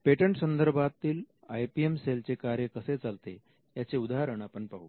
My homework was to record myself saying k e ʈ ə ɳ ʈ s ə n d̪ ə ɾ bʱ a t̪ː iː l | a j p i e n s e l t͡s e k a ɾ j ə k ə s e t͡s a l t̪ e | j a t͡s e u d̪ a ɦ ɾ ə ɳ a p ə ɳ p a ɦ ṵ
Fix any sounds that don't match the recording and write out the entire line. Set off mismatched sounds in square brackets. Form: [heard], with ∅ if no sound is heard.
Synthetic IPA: [p] e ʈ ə ɳ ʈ s ə n d̪ ə ɾ bʱ a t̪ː iː l | a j p i e [m] s e l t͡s e k a ɾ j ə k ə s e t͡s a l t̪ e | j a t͡s e u d̪ a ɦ ɾ ə ɳ a p ə ɳ p a ɦ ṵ